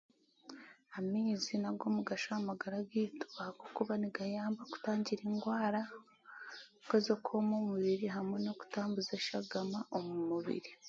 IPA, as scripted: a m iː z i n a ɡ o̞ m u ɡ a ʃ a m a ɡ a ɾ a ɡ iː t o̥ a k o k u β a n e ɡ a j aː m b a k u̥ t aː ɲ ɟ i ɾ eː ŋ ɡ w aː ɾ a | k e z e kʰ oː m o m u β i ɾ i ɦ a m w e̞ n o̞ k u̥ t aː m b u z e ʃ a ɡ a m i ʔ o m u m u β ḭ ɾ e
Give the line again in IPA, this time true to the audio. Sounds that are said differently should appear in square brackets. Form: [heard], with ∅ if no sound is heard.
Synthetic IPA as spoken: a m iː z i n a ɡ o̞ m u ɡ a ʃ a m a ɡ a ɾ a ɡ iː t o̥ a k o k u β a n [i] ɡ a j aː m b a k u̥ t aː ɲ ɟ i ɾ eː ŋ ɡ w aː ɾ a | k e z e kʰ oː m o m u β i ɾ i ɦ a m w e̞ n o̞ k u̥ t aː m b u z e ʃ a ɡ a m [a] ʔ o m u m u β ḭ ɾ [i]